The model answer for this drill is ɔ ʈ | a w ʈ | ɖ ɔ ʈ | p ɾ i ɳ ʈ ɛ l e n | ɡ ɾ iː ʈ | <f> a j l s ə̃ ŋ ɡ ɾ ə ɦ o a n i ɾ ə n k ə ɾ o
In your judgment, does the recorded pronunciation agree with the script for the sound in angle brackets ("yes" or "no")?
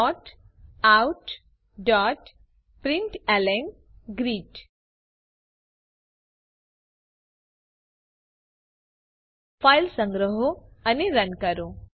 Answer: yes